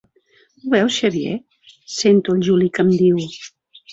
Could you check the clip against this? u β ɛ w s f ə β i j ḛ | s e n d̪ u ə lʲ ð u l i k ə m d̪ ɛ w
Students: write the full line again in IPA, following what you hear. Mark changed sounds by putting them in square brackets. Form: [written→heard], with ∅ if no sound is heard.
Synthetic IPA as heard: u β ɛ w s [f→ʃ] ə β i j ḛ | s e n [d̪→t̪] u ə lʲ [ð→ʒ] u l i k ə m d̪ [ɛ→i] w